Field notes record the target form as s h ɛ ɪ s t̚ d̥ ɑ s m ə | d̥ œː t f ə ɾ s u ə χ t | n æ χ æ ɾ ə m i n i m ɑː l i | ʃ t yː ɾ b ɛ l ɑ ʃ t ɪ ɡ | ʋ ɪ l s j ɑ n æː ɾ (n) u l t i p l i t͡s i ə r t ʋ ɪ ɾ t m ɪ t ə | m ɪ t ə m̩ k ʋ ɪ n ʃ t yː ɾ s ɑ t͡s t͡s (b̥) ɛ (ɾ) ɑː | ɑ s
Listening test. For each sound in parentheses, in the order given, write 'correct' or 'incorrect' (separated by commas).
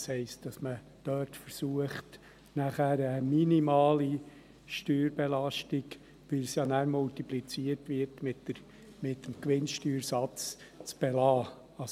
incorrect, correct, incorrect